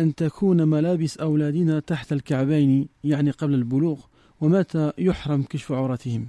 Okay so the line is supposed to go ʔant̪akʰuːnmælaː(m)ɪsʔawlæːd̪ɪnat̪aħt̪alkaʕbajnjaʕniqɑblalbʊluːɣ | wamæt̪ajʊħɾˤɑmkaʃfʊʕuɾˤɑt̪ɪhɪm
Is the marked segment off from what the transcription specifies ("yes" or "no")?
yes